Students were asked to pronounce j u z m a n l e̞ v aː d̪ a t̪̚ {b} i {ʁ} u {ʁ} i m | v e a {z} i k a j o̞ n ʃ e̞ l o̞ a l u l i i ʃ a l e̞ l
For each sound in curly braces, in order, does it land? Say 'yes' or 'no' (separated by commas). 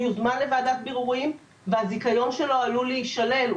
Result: yes, yes, yes, yes